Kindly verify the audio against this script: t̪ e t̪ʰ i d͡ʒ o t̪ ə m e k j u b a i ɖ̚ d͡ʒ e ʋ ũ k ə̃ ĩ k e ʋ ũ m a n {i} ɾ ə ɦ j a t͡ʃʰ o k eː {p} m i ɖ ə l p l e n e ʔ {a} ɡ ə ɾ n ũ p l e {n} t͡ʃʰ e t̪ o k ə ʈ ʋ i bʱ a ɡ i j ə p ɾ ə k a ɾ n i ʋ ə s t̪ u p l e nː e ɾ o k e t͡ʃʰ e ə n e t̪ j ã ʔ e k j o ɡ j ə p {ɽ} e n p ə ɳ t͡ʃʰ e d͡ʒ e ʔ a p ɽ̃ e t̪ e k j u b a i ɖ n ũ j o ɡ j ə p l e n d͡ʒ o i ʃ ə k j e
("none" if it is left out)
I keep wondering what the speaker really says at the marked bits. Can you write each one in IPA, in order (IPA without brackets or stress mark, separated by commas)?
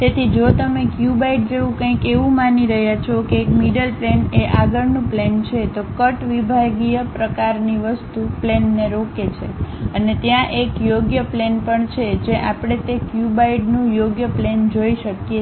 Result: i, k, a, n, l